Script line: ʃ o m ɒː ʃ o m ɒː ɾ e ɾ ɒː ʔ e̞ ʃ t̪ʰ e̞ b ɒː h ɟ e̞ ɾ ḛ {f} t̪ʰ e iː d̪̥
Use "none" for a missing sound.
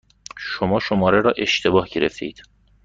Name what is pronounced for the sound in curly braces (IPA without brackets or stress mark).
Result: f